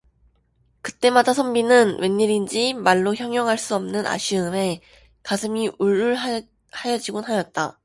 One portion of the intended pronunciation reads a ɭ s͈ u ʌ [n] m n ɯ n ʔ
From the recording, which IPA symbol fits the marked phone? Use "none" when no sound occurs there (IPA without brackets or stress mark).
none